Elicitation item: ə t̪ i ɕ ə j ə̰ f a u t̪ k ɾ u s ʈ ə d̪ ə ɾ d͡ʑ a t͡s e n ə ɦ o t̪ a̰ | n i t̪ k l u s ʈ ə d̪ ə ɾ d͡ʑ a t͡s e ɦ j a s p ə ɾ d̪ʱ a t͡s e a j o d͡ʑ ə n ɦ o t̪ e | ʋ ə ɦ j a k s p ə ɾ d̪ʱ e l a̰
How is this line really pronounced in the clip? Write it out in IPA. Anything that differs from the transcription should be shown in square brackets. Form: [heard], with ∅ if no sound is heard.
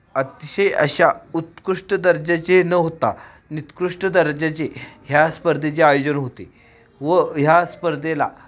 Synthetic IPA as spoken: ə t̪ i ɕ ə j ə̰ [ɕ] a u t̪ k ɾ u [ʂ] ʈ ə d̪ ə ɾ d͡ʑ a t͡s e n ə ɦ o t̪ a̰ | n i t̪ k [ɾ] u [ʂ] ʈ ə d̪ ə ɾ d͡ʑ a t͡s e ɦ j a s p ə ɾ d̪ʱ [e] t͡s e a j o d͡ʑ ə n ɦ o t̪ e | ʋ ə ɦ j a [∅] s p ə ɾ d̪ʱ e l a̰